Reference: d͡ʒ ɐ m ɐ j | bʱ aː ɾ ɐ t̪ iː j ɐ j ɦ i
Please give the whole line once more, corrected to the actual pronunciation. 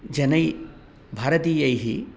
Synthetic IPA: d͡ʒ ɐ n ɐ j | bʱ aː ɾ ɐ t̪ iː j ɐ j ɦ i